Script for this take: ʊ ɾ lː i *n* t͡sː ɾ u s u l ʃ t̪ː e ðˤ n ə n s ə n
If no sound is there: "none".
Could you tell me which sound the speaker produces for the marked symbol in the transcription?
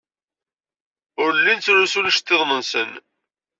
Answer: n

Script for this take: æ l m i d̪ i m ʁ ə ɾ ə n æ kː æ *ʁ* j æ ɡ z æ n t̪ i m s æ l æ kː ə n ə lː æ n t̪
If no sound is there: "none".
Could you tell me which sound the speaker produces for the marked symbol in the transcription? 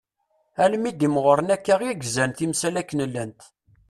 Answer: ʁ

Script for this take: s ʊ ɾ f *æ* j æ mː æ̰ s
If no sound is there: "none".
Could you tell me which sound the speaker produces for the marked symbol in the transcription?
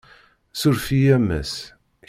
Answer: i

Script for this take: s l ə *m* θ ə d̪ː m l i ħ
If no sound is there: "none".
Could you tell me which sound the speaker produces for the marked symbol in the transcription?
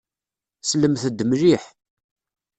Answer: m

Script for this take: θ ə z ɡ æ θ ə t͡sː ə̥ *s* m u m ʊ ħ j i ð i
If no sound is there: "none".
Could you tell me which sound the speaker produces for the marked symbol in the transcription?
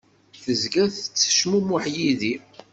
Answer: ʃ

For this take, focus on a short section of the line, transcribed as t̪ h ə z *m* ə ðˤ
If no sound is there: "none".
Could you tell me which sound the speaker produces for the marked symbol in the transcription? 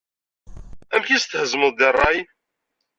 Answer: m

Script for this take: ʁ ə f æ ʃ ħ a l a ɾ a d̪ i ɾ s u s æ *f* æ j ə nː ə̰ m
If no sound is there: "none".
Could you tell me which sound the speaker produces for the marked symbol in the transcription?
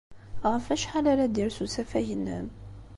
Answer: f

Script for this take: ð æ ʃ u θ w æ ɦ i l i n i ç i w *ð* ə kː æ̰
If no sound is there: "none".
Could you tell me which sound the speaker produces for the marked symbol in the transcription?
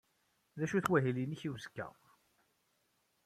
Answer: z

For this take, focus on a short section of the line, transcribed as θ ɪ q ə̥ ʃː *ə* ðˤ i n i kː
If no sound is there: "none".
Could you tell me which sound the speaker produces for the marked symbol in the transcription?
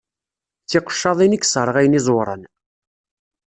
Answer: ɑ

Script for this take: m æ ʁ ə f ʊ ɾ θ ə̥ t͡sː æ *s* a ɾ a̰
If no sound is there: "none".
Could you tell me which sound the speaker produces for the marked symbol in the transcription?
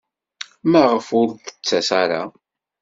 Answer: s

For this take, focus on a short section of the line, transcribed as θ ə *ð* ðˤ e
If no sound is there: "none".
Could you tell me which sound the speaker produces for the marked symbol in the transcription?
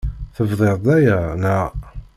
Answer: v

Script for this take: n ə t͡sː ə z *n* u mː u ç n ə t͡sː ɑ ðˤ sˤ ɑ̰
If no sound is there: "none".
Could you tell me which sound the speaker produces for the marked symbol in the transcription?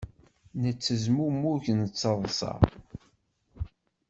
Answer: m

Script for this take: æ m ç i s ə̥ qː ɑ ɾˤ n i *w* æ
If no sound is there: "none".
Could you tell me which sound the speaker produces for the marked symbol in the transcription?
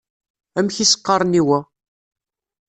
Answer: w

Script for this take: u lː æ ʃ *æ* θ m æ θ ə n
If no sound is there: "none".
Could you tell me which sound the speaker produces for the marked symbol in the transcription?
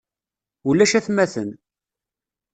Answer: æ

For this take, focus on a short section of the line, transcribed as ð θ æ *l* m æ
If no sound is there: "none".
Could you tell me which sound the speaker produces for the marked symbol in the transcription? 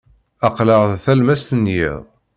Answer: l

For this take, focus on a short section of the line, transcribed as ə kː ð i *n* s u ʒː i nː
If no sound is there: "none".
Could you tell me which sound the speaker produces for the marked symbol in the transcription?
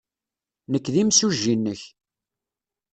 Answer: m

